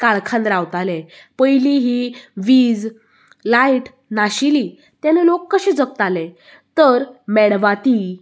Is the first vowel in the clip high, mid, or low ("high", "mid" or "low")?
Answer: low